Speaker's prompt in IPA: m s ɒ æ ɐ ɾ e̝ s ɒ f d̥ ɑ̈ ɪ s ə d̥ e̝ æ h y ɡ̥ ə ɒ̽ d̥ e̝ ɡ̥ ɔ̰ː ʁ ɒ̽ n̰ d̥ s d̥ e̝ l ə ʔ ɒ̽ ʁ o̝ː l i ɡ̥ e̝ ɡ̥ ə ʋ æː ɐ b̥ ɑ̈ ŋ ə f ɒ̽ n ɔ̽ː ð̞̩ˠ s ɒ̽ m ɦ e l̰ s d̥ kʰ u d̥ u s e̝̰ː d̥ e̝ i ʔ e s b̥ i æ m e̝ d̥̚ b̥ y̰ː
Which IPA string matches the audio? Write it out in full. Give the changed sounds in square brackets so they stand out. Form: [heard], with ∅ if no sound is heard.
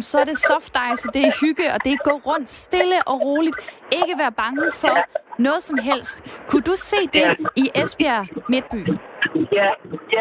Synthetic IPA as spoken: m s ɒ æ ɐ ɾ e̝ s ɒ f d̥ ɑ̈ ɪ s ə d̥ e̝ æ h y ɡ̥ ə ɒ̽ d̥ e̝ ɡ̥ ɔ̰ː ʁ [ɔ̽] n̰ d̥ s d̥ e̝ l ə ʔ ɒ̽ ʁ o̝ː l i [d̥] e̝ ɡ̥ ə ʋ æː ɐ b̥ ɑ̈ ŋ ə f ɒ̽ n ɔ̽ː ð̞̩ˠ s ɒ̽ m ɦ e l̰ s d̥ kʰ u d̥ u s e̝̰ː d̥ e̝ i ʔ e s b̥ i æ m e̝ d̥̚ b̥ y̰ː